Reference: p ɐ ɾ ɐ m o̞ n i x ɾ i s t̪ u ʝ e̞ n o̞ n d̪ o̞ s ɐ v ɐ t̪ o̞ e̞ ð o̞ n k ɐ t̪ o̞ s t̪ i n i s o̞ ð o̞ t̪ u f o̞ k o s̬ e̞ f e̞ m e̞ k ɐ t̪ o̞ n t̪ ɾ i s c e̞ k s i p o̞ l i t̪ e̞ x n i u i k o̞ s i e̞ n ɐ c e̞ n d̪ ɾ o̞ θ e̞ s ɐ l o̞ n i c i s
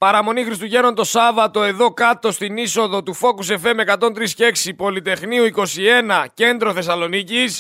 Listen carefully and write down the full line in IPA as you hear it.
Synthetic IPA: p ɐ ɾ ɐ m o̞ n i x ɾ i s t̪ u ʝ e̞ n o̞ n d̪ o̞ s ɐ v ɐ t̪ o̞ e̞ ð o̞ k ɐ t̪ o̞ s t̪ i n i s o̞ ð o̞ t̪ u f o̞ k u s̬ e̞ f e̞ m e̞ k ɐ t̪ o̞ n t̪ ɾ i s c e̞ k s i p o̞ l i t̪ e̞ x n i u i k o̞ s i e̞ n ɐ c e̞ n d̪ ɾ o̞ θ e̞ s ɐ l o̞ n i c i s